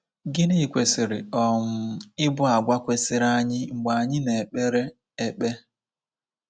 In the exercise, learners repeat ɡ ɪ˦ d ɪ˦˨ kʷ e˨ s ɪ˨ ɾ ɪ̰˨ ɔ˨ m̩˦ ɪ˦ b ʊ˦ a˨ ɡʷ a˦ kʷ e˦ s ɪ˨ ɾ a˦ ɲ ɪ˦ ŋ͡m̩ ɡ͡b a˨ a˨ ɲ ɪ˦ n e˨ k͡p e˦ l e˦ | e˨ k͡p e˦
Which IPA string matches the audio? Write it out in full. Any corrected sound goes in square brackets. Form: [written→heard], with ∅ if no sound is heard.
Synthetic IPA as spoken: ɡ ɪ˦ [d→n] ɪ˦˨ kʷ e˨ s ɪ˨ ɾ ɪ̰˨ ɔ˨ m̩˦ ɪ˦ b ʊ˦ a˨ ɡʷ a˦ kʷ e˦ s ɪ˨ ɾ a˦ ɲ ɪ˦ ŋ͡m̩ ɡ͡b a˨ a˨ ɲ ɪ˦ n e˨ k͡p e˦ [l→ɾ] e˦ | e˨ k͡p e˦

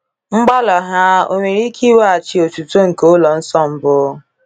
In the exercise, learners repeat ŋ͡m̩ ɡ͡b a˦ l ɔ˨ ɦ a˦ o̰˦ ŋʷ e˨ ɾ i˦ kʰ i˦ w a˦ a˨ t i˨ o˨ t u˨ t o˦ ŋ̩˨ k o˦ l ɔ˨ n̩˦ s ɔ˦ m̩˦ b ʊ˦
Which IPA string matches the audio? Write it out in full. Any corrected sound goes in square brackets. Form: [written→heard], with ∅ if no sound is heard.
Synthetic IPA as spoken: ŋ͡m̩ ɡ͡b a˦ l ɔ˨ ɦ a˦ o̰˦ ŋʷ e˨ ɾ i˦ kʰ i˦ w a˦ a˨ [t→t͡ʃ] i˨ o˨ t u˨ t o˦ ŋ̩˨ k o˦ l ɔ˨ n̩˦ s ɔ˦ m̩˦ b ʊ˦

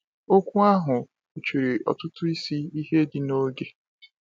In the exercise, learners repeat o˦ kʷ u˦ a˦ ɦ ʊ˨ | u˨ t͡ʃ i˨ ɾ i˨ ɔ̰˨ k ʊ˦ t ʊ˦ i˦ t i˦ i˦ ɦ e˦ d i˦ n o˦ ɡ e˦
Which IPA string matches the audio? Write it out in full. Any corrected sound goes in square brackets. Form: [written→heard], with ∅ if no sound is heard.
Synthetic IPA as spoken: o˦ kʷ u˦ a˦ ɦ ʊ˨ | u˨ t͡ʃ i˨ ɾ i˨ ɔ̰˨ [k→t] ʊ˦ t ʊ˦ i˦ [t→s] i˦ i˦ ɦ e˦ d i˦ n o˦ ɡ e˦

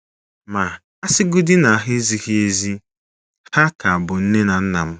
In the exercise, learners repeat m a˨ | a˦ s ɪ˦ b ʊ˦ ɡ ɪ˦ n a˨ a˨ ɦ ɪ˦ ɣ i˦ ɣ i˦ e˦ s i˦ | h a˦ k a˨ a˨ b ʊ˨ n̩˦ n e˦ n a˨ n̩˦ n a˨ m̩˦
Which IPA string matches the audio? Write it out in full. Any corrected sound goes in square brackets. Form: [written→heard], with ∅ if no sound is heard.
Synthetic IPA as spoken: m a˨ | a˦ s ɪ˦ [b→ɡ] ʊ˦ [ɡ→d] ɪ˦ n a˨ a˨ ɦ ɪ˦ [ɣ→z] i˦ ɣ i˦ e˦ [s→z] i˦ | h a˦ k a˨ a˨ b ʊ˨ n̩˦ n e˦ n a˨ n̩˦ n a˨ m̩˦

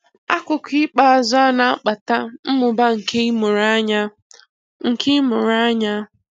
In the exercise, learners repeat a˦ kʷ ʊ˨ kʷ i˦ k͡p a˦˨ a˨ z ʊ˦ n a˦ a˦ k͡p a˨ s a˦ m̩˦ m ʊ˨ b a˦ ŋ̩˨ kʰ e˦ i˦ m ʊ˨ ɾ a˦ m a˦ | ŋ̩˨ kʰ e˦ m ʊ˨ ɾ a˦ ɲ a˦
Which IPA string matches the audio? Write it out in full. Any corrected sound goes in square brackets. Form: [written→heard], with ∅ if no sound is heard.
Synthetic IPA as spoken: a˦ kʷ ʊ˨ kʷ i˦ k͡p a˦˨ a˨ z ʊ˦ n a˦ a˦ k͡p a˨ [s→t] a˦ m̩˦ m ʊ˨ b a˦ ŋ̩˨ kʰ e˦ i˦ m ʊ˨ ɾ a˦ [m→ɲ] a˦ | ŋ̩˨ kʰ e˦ m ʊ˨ ɾ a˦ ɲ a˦

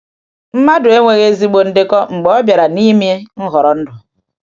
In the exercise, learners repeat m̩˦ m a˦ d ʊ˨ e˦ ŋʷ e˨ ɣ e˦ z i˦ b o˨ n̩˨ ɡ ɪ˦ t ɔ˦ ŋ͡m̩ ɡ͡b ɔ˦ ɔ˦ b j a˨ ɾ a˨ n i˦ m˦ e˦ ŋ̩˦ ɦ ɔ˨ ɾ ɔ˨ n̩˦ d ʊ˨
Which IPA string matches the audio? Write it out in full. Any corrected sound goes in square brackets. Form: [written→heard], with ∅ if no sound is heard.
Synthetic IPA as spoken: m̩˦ m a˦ d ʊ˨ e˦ ŋʷ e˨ ɣ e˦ z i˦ [b→ɡ͡b] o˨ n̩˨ [ɡ→d] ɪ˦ [t→k] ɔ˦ ŋ͡m̩ ɡ͡b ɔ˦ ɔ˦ b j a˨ ɾ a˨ n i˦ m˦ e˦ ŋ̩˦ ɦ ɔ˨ ɾ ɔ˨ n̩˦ d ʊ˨

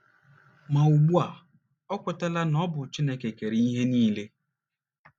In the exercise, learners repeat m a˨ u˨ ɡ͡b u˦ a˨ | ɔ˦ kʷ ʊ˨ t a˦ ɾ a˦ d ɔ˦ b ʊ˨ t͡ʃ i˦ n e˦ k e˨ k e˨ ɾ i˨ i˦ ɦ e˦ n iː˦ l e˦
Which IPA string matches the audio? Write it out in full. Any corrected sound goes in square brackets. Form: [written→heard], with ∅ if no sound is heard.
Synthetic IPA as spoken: m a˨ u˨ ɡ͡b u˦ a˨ | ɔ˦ kʷ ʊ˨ t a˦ [ɾ→l] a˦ [d→n] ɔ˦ b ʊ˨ t͡ʃ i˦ n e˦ k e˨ k e˨ ɾ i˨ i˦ ɦ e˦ n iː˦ l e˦

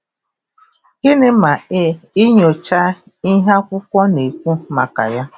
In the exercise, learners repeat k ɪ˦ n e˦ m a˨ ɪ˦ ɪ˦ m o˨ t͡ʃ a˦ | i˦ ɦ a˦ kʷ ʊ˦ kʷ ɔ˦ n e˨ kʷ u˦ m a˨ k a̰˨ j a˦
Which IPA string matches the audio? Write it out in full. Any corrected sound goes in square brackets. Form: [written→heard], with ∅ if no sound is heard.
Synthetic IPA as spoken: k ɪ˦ n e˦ m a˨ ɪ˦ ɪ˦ [m→ɲ] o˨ t͡ʃ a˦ | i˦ ɦ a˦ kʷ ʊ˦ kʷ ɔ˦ n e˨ kʷ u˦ m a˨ k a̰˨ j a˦

